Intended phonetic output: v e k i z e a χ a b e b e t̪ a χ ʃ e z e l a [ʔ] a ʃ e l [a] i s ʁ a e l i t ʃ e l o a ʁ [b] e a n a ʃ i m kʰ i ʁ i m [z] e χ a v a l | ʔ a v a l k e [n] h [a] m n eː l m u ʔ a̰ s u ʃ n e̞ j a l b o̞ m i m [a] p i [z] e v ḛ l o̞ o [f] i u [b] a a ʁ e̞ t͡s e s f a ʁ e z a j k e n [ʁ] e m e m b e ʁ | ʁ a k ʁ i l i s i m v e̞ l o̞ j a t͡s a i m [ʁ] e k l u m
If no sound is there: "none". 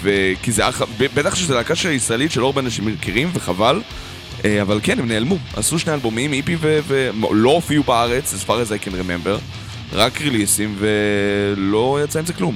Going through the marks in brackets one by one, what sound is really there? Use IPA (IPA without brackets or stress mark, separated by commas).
k, a, b, v, n, e, i, v, f, b, ʁ, z